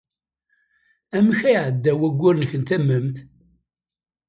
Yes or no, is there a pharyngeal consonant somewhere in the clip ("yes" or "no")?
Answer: yes